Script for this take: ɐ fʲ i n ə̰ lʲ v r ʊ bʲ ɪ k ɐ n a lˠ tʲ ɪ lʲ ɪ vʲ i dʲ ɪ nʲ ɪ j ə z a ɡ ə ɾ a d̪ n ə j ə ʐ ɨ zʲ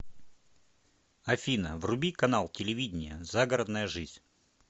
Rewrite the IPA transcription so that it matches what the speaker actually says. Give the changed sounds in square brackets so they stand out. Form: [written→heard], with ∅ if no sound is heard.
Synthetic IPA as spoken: ɐ fʲ i n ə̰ [lʲ→∅] v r ʊ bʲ [ɪ→i] k ɐ n a lˠ tʲ ɪ lʲ ɪ vʲ i dʲ ɪ nʲ ɪ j ə z a ɡ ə ɾ [a→ə] d̪ n ə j ə ʐ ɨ zʲ